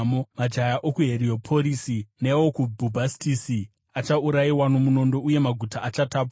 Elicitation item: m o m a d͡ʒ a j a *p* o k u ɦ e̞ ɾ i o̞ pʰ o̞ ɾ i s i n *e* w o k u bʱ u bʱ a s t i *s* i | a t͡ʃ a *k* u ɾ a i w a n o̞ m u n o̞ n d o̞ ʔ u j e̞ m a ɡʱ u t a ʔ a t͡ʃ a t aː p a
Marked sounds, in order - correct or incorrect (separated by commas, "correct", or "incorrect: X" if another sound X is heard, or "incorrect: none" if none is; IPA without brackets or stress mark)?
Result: incorrect: ʔ, correct, correct, incorrect: none